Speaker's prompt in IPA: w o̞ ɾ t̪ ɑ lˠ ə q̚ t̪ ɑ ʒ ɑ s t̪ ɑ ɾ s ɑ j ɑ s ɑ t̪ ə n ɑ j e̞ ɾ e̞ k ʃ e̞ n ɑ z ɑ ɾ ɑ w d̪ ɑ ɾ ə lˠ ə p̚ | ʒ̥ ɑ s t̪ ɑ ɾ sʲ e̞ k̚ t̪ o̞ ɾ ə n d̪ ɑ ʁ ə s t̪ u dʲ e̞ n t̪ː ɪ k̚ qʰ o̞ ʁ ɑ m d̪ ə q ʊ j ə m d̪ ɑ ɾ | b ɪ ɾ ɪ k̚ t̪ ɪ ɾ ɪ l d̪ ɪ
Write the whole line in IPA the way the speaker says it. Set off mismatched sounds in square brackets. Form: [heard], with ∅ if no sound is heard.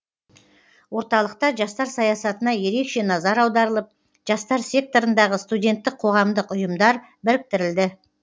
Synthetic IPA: w o̞ ɾ t̪ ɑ lˠ ə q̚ t̪ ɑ ʒ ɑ s t̪ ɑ ɾ s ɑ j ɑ s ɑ t̪ ə n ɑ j e̞ ɾ e̞ k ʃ e̞ n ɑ z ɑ ɾ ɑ w d̪ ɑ ɾ ə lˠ ə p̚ | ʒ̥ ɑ s t̪ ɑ ɾ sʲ e̞ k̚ t̪ o̞ ɾ ə n d̪ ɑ ʁ ə s t̪ u dʲ e̞ n t̪ː ɪ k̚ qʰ o̞ ʁ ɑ m d̪ ə q ʊ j ə m d̪ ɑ ɾ | b ɪ ɾ ɪ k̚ t̪ ɪ ɾ ɪ l d̪ ɪ